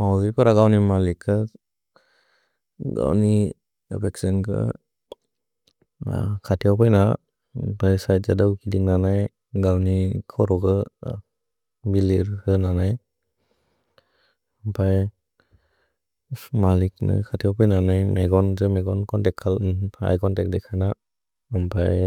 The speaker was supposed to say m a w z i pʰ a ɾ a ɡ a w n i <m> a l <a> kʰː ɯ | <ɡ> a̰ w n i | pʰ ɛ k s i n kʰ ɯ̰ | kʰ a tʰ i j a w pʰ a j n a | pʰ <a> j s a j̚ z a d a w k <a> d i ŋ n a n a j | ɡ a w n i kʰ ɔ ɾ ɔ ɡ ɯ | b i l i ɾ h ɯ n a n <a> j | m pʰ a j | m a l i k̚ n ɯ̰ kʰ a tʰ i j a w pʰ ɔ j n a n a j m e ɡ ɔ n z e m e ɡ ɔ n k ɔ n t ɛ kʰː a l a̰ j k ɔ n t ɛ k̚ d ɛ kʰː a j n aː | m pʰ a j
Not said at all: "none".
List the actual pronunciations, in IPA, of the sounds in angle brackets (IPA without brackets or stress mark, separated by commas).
m, i, ɡ, a, i, a